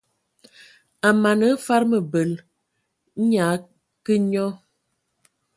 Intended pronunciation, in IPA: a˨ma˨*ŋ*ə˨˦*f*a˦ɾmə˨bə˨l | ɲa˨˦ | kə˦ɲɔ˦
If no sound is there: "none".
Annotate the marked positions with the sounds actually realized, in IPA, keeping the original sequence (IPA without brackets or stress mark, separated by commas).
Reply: n, f